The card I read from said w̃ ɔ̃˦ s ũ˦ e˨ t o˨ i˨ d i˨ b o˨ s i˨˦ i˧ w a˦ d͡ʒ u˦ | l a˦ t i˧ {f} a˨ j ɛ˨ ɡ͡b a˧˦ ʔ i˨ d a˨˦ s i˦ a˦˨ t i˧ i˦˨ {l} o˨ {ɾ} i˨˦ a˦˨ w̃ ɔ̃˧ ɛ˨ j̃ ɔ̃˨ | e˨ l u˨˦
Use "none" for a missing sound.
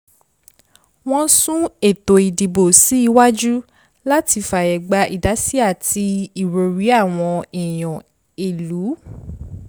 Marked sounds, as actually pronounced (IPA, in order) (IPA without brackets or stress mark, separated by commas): f, ɾ, ɾ